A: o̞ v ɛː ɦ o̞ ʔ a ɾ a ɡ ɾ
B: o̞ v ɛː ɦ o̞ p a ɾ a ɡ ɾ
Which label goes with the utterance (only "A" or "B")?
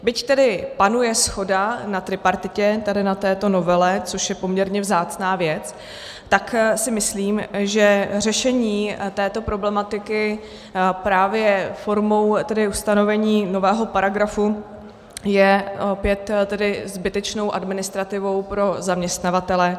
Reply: B